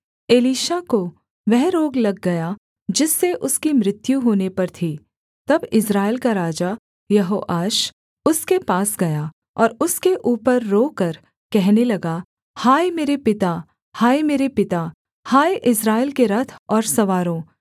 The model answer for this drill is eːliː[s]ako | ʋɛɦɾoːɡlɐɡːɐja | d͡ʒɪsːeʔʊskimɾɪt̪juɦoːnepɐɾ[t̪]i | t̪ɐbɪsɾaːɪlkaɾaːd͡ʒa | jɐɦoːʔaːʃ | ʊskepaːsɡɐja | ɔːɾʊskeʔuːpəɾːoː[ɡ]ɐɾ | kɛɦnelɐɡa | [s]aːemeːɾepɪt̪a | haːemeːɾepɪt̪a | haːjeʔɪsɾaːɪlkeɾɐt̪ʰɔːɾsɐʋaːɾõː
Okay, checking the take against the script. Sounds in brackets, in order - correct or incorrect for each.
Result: incorrect: ʃ, incorrect: t̪ʰ, incorrect: k, incorrect: h

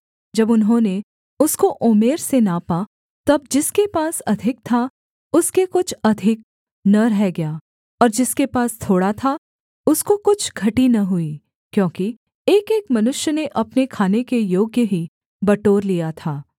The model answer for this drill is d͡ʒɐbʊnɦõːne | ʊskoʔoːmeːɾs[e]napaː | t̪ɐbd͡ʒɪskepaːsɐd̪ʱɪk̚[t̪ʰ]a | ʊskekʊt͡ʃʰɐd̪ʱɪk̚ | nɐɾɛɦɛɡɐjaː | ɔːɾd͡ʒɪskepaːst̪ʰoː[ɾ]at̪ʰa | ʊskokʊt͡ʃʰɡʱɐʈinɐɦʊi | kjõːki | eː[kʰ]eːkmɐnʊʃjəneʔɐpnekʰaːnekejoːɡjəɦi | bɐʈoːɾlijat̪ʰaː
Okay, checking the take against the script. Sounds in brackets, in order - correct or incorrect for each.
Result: correct, correct, incorrect: ɽ, incorrect: k

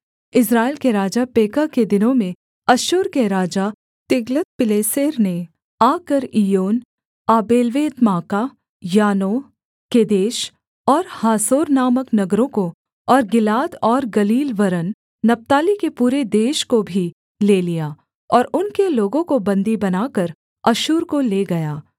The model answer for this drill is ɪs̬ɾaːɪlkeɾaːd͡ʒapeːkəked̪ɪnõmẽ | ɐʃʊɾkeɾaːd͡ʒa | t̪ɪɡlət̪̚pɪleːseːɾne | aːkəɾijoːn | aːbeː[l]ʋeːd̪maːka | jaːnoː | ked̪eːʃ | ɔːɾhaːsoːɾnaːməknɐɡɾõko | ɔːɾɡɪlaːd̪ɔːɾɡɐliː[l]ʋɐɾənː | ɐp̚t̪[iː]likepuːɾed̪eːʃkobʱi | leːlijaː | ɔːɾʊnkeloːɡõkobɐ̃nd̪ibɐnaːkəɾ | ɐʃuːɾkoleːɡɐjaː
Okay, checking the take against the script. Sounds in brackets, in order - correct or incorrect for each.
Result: correct, correct, incorrect: aː

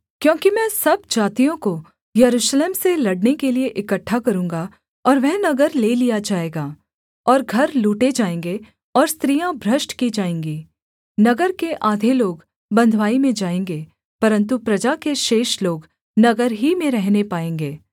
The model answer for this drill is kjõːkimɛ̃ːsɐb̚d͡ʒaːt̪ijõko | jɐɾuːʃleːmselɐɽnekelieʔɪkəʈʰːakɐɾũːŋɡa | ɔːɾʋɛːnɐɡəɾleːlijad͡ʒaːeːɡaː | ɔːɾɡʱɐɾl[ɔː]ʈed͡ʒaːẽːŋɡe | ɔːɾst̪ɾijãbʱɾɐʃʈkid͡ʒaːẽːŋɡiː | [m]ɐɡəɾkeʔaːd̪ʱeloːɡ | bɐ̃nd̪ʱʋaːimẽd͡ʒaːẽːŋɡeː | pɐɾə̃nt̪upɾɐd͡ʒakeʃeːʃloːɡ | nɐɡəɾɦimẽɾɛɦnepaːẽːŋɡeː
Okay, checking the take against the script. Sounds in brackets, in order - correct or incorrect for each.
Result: incorrect: uː, incorrect: n

